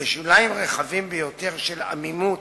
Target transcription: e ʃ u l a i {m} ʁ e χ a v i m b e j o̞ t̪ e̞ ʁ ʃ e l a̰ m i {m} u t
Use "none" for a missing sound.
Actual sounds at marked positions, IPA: m, m

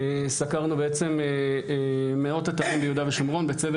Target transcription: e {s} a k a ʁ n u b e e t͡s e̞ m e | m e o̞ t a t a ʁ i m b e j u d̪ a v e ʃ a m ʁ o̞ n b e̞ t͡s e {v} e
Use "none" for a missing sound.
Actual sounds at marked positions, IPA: s, v

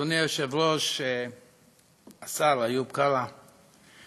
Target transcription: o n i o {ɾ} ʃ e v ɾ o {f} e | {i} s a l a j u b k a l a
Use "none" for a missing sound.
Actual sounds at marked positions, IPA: none, ʃ, a

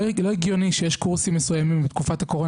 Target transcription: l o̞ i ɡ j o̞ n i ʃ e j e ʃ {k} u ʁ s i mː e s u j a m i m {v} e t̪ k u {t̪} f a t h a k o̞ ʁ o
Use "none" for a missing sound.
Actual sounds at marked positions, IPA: k, b, none

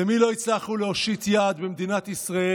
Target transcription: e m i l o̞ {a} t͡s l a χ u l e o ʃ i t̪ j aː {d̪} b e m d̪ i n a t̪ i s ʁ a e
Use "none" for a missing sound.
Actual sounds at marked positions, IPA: i, d̪

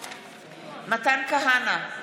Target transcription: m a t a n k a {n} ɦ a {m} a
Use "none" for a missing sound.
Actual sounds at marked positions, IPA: none, n

